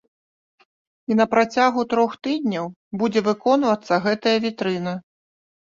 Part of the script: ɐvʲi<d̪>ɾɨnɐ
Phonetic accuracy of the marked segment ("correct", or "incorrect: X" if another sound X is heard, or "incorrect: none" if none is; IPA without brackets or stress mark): incorrect: t̪